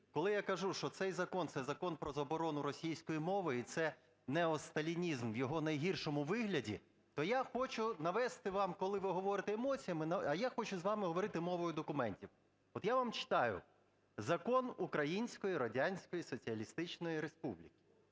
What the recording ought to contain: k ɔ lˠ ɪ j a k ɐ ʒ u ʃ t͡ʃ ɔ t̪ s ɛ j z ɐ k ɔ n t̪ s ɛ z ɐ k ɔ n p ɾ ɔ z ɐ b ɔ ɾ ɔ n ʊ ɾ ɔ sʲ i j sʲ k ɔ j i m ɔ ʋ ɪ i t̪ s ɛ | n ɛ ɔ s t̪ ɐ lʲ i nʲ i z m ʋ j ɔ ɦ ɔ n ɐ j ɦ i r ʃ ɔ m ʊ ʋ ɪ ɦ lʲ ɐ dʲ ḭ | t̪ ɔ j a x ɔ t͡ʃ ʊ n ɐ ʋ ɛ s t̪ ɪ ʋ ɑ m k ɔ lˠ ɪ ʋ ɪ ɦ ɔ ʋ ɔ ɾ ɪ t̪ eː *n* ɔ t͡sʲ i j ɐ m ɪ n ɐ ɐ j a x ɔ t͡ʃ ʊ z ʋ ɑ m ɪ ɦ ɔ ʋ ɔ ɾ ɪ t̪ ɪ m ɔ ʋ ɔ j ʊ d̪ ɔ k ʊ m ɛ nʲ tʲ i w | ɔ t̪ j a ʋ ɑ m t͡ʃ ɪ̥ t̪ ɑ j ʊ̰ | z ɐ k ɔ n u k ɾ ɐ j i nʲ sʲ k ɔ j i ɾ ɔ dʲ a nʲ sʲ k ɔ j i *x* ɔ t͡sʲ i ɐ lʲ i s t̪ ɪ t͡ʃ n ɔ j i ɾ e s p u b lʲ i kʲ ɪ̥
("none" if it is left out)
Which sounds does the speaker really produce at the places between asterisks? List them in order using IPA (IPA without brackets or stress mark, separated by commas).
m, s